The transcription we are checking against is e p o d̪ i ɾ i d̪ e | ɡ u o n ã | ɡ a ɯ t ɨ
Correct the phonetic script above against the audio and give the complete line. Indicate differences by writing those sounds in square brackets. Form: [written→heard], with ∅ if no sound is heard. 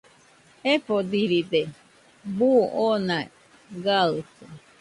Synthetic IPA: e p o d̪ i ɾ i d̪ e | [ɡ→b] u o n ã | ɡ a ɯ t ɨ